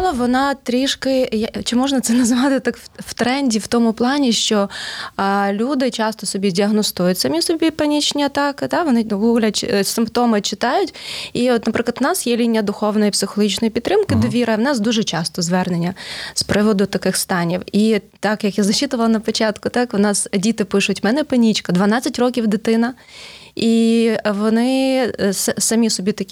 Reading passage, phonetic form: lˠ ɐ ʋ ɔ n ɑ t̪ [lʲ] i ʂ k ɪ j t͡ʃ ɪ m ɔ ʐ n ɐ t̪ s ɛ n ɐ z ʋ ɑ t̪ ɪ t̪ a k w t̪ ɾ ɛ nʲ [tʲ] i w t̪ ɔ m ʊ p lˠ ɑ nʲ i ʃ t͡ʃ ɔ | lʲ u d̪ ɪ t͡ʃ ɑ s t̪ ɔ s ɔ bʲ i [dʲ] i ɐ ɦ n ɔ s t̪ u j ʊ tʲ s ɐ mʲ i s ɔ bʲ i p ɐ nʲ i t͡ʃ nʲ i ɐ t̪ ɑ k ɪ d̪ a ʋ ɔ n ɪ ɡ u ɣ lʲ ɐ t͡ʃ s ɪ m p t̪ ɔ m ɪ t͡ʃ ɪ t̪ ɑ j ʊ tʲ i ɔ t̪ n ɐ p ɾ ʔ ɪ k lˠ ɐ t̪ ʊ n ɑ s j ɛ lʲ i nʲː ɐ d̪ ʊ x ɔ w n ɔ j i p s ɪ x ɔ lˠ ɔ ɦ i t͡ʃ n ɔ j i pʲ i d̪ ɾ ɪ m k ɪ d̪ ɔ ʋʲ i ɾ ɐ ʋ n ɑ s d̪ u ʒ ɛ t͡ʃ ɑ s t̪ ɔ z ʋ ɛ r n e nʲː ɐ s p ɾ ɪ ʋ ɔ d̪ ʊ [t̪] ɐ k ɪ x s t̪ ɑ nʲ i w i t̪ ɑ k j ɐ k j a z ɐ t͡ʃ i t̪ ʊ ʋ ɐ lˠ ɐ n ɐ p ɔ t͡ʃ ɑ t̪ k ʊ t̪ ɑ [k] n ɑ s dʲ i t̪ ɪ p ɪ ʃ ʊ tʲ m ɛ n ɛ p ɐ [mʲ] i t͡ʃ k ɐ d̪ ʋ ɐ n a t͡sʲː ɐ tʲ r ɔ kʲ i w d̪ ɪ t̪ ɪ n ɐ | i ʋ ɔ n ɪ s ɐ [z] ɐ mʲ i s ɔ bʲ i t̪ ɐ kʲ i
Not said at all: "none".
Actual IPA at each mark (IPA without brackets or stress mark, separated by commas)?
ɾʲ, dʲ, dʲ, t̪, k, nʲ, s